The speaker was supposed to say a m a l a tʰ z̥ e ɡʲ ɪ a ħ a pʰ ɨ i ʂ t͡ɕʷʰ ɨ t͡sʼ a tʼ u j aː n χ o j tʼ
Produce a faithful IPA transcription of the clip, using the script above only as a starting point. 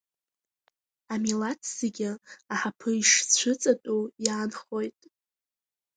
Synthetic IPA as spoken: a m i l a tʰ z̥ e ɡʲ ɪ a ħ a pʰ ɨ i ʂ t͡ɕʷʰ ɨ t͡sʼ a tʼ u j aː n χ o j tʼ